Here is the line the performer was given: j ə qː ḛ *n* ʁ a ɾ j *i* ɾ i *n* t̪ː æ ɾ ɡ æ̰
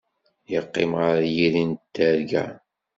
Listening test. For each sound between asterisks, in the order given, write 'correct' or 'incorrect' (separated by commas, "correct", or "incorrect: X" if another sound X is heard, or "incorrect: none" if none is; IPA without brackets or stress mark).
incorrect: m, correct, correct